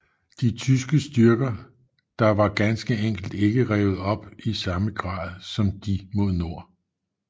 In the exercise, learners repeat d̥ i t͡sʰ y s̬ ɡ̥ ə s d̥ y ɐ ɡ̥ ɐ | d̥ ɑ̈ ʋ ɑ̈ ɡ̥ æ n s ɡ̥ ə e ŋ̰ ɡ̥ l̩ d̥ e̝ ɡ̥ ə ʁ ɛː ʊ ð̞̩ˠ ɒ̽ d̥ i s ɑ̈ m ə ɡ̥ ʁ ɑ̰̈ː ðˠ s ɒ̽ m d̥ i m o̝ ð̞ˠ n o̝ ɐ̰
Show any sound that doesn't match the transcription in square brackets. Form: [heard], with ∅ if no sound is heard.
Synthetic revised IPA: d̥ i t͡sʰ y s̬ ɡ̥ ə s d̥ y ɐ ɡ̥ ɐ | d̥ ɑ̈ ʋ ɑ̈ ɡ̥ æ n s ɡ̥ ə e ŋ̰ ɡ̥ l̩ d̥ e̝ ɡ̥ ə ʁ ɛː ʊ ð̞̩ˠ ɒ̽ [b̥] i s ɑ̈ m ə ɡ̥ ʁ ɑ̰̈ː ðˠ s ɒ̽ m d̥ i m o̝ ð̞ˠ n o̝ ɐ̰